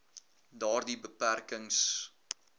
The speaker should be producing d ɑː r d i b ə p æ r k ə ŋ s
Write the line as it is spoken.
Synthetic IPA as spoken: d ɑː r d i b ə p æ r k ə ŋ s